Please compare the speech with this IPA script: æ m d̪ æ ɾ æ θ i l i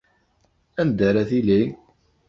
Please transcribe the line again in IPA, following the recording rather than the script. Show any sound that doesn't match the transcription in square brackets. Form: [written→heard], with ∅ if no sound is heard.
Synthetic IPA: æ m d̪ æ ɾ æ θ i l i